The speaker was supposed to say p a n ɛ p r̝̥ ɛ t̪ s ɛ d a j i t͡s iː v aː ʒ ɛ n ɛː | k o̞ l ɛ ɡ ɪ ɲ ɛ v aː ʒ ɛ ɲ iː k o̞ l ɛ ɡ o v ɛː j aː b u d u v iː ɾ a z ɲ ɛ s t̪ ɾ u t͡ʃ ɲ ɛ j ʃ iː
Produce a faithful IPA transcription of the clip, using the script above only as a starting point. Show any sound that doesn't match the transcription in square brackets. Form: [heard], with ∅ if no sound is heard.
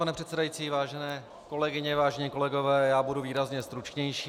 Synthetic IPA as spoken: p a n ɛ p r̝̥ ɛ t̪ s ɛ d a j i t͡s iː v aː ʒ ɛ n ɛː | k o̞ l ɛ ɡ ɪ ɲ ɛ v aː ʒ ɛ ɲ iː k o̞ l ɛ ɡ o v ɛː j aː b u d u v iː ɾ a z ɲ ɛ s t̪ ɾ u t͡ʃ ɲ ɛ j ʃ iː